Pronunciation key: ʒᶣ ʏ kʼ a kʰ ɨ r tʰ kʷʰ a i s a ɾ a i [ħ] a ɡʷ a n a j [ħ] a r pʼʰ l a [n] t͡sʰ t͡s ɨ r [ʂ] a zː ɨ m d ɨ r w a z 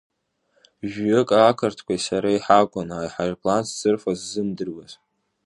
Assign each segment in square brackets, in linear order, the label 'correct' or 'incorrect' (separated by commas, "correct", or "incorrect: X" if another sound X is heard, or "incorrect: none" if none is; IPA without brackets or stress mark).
correct, correct, correct, incorrect: f